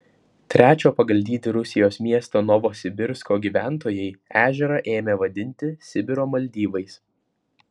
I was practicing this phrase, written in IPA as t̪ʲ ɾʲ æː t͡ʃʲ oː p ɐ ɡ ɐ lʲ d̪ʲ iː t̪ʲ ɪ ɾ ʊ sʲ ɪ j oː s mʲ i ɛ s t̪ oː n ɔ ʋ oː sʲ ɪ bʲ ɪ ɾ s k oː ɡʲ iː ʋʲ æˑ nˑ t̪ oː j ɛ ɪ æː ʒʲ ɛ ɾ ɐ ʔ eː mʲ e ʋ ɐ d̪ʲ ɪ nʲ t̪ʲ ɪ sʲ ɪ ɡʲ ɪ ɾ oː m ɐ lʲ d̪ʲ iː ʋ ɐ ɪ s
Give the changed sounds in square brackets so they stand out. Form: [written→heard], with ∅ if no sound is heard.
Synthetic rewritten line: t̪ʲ ɾʲ æː t͡ʃʲ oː p ɐ ɡ ɐ lʲ d̪ʲ iː t̪ʲ ɪ ɾ ʊ sʲ ɪ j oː s mʲ i ɛ s t̪ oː n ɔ ʋ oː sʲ ɪ bʲ ɪ ɾ s k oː ɡʲ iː ʋʲ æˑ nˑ t̪ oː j ɛ ɪ æː ʒʲ ɛ ɾ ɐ ʔ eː mʲ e ʋ ɐ d̪ʲ ɪ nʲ t̪ʲ ɪ sʲ ɪ [ɡʲ→bʲ] ɪ ɾ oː m ɐ lʲ d̪ʲ iː ʋ ɐ ɪ s